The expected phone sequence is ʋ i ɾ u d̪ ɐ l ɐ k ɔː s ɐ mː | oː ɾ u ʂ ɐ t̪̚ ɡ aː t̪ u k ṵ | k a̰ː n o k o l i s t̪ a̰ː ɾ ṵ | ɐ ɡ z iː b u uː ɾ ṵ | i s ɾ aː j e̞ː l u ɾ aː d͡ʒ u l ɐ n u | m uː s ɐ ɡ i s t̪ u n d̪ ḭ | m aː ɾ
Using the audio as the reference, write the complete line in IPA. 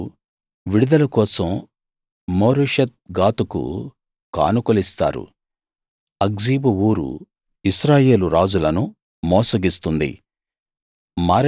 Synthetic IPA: ʋ i ɽ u d̪ ɐ l ɐ k ɔː s ɐ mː | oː ɾ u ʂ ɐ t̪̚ ɡ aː t̪ u k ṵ | k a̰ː n u k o l i s t̪ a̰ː ɾ ṵ | ɐ ɡ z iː b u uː ɾ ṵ | i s ɾ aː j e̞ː l u ɾ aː d͡ʒ u l ɐ n u | m ɔː s ɐ ɡ i s t̪ u n d̪ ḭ | m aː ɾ